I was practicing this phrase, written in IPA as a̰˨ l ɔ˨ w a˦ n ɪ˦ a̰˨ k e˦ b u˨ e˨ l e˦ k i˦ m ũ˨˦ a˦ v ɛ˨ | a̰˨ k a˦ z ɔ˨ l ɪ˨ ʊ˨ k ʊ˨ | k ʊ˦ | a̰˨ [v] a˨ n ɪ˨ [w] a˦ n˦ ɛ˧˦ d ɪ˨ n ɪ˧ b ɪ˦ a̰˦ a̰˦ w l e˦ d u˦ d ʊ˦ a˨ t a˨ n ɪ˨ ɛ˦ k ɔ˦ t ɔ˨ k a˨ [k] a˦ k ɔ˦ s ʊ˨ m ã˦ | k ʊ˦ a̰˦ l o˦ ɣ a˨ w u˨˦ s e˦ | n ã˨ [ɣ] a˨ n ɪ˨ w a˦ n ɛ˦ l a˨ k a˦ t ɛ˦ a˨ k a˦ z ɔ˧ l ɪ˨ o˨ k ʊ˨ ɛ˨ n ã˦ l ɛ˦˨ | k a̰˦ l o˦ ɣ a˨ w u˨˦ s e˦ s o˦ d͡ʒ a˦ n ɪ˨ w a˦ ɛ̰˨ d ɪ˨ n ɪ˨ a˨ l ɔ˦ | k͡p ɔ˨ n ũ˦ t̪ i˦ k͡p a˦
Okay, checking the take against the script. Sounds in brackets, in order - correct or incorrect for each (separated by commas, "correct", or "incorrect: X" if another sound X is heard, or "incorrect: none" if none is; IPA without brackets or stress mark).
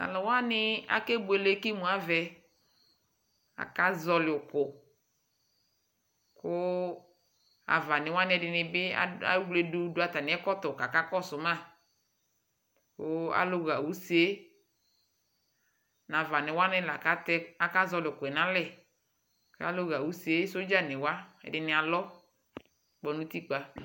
correct, correct, correct, incorrect: v